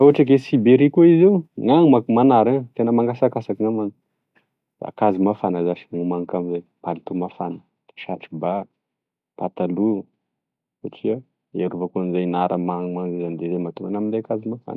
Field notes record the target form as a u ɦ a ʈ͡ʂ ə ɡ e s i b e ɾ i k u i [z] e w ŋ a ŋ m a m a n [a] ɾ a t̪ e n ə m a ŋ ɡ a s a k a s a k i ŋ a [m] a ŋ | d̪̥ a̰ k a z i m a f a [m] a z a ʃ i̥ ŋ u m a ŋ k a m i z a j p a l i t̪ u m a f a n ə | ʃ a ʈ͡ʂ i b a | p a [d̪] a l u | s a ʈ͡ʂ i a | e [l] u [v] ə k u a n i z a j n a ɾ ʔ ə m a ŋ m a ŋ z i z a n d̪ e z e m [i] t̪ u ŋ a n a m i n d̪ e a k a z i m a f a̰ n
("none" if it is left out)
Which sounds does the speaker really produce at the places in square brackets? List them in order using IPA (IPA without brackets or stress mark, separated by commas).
z, a, m, n, t̪, ɾ, v, a